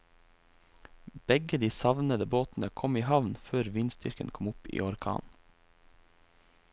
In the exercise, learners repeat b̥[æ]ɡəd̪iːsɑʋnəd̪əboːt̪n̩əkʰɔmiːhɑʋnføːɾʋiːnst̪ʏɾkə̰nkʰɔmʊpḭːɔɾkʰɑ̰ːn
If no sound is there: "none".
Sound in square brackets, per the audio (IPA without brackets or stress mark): ɛ